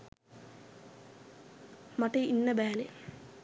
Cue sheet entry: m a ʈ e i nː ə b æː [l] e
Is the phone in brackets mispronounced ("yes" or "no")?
no